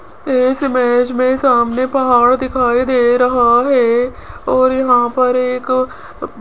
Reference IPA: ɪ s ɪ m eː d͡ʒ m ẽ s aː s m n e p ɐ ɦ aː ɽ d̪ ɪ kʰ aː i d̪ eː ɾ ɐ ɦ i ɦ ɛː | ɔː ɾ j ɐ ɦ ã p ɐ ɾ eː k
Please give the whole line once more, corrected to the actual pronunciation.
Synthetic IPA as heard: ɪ s ɪ m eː d͡ʒ m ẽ s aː m n e p ɐ ɦ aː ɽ d̪ ɪ kʰ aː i d̪ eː ɾ ɐ ɦ a ɦ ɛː | ɔː ɾ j ɐ ɦ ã p ɐ ɾ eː k